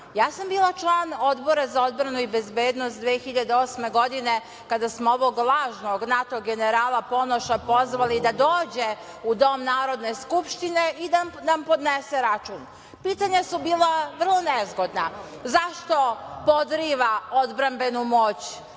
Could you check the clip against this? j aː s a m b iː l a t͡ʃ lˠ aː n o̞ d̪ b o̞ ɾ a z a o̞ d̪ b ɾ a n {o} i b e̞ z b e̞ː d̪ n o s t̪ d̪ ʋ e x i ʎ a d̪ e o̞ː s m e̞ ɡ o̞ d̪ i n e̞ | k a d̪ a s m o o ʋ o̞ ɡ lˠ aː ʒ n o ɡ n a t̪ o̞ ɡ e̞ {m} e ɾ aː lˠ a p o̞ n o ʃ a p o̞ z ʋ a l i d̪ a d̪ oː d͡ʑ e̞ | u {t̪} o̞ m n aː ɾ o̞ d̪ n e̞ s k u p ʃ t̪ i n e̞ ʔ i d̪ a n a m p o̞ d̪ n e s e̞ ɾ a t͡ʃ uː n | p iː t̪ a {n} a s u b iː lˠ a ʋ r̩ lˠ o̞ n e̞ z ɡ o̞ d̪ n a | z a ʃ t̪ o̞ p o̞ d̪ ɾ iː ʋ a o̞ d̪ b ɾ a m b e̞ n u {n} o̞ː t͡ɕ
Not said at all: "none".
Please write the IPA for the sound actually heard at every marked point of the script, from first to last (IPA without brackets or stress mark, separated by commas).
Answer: u, n, d̪, ɲ, m